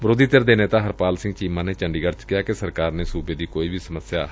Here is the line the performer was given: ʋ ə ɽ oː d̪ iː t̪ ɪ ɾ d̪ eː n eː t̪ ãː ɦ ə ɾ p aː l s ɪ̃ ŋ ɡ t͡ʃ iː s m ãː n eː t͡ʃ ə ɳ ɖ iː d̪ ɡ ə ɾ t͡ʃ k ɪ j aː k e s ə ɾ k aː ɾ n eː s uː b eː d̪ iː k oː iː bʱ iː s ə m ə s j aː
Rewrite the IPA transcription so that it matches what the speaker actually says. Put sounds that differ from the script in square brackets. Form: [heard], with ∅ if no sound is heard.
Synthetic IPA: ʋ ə [ɾ] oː d̪ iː t̪ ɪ ɾ d̪ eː n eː t̪ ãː ɦ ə ɾ p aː l s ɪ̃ ŋ ɡ t͡ʃ iː [∅] m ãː n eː t͡ʃ ə ɳ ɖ iː [∅] ɡ ə ɾ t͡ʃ k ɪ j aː k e s ə ɾ k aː ɾ n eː s uː b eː d̪ iː k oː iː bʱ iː s ə m ə s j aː